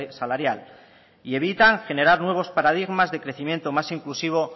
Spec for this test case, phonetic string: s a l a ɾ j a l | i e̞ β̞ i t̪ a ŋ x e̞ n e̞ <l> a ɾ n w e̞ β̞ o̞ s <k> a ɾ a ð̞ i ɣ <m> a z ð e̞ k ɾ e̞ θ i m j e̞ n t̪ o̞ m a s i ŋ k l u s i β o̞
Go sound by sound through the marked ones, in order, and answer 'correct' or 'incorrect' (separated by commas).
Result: incorrect, incorrect, correct